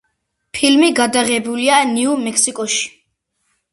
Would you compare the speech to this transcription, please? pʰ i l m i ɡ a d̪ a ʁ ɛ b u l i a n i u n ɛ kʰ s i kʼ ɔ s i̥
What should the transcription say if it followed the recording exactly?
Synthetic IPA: pʰ i l m i ɡ a d̪ a ʁ ɛ b u l i a n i u m ɛ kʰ s i kʼ ɔ ʃ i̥